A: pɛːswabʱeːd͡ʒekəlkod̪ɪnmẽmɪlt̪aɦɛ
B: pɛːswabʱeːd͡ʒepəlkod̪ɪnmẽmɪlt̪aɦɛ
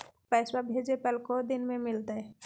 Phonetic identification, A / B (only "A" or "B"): B